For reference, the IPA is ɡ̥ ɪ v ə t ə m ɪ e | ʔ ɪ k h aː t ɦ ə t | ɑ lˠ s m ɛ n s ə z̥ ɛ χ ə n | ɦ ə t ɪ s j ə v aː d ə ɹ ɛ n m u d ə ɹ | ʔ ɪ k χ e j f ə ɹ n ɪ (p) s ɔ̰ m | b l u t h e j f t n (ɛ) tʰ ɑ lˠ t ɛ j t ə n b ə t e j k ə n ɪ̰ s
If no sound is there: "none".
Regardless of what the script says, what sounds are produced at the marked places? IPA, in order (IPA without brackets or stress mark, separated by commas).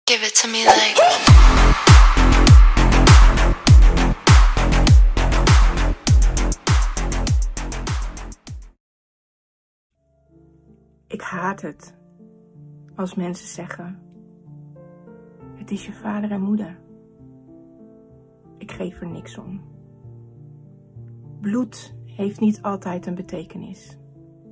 k, i